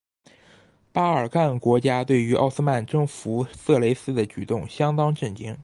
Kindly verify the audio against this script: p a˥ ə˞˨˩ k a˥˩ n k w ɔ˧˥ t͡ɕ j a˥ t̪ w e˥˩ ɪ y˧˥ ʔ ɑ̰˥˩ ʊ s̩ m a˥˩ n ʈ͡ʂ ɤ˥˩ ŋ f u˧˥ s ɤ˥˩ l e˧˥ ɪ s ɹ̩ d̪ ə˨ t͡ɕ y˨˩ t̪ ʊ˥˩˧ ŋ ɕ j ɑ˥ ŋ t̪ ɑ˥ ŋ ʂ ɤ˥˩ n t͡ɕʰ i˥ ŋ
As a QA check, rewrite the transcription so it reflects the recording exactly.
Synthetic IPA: p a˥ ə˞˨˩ k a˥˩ n k w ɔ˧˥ t͡ɕ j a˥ t̪ w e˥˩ ɪ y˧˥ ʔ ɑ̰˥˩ ʊ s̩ m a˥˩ n ʈ͡ʂ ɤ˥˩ ŋ f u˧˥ s ɤ˥˩ l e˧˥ ɪ s ɹ̩ d̪ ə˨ t͡ɕ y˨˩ t̪ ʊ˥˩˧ ŋ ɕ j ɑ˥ ŋ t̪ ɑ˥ ŋ ʈ͡ʂ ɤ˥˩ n t͡ɕ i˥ ŋ